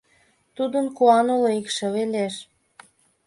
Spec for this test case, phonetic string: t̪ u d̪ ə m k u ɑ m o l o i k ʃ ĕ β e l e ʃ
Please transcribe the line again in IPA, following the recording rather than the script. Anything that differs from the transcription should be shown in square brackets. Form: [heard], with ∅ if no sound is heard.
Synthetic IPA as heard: t̪ u d̪ ə [n] k u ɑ [n] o l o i k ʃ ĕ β e l e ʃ